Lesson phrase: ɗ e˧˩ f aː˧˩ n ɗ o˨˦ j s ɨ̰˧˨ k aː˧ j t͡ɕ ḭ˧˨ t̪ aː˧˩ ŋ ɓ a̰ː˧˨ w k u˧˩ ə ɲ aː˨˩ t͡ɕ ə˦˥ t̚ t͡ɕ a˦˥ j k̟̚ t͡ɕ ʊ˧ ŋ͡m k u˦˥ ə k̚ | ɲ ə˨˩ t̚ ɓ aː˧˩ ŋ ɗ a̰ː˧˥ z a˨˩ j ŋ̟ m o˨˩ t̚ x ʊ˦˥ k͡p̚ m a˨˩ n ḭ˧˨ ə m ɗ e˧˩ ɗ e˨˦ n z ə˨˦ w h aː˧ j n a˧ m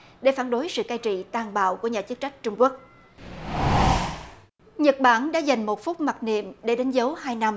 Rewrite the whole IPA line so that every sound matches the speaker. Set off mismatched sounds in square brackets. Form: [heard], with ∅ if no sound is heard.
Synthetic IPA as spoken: ɗ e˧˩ f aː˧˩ n ɗ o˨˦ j s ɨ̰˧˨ k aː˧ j t͡ɕ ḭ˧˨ t̪ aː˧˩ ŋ ɓ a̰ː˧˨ w k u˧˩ ə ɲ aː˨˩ t͡ɕ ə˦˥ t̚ t͡ɕ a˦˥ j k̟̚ t͡ɕ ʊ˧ ŋ͡m k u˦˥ ə k̚ | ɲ ə˨˩ t̚ ɓ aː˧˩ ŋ ɗ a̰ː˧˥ z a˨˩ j ŋ̟ m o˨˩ t̚ [f] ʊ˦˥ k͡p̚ m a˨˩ n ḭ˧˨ ə m ɗ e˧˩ ɗ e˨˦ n z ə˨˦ w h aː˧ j n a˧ m